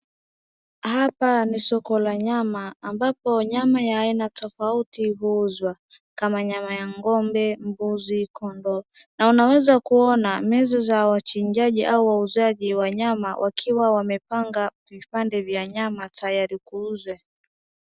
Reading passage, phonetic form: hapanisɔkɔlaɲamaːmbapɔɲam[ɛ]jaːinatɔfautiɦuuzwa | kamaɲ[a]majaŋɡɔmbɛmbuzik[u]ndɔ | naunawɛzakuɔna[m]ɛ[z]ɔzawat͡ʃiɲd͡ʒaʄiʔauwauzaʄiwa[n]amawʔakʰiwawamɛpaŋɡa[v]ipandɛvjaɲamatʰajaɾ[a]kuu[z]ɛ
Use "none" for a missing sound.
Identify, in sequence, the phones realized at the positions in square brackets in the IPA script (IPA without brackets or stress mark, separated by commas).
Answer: a, a, ɔ, m, z, ɲ, v, i, z